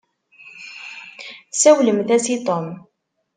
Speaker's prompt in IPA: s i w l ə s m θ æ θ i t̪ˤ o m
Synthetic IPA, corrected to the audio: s æ w l ə m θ æ s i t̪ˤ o m